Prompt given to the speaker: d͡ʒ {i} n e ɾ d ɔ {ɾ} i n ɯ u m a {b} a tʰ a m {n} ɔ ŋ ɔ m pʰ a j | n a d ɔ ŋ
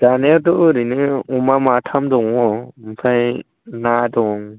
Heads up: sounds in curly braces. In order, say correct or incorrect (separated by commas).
incorrect, correct, incorrect, incorrect